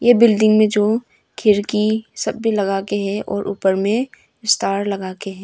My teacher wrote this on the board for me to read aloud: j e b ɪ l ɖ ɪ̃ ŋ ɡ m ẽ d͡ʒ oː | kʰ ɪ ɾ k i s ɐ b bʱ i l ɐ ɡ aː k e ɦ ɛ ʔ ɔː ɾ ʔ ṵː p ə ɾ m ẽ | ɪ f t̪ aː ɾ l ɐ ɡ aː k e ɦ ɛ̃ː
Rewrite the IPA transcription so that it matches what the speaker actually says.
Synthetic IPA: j e b ɪ l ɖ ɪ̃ ŋ ɡ m ẽ d͡ʒ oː | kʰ ɪ ɾ k i s ɐ b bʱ i l ɐ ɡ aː k e ɦ ɛ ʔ ɔː ɾ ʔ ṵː p ə ɾ m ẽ | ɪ s t̪ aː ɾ l ɐ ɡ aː k e ɦ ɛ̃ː